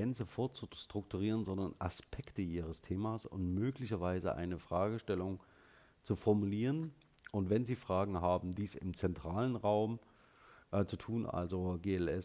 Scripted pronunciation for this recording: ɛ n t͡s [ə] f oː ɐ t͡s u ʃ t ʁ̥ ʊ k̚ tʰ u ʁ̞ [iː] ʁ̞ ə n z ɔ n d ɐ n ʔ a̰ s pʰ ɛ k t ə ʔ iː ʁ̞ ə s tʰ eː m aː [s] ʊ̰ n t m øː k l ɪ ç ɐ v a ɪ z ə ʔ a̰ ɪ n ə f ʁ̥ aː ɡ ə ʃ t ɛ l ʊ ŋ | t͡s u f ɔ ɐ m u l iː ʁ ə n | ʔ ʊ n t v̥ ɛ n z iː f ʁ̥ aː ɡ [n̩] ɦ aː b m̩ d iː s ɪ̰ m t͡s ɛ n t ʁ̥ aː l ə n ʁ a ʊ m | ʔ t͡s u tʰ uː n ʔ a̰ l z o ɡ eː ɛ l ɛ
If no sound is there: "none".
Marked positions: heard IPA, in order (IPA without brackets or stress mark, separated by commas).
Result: ə, iː, s, ŋ̩